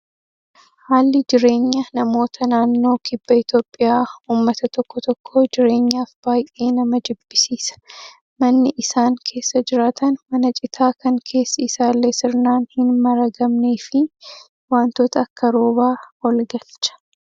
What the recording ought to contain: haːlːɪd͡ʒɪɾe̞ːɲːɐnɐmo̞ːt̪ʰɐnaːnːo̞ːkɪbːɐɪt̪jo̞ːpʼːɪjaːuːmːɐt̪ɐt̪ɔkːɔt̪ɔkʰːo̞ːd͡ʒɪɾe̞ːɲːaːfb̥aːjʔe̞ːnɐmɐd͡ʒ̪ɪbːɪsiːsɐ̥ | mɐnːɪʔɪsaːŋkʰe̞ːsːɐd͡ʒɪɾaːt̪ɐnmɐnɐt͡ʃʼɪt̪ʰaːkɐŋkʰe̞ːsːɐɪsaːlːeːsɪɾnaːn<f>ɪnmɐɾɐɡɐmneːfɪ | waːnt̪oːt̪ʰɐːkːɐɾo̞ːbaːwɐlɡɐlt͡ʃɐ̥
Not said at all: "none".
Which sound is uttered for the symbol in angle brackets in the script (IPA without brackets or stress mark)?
h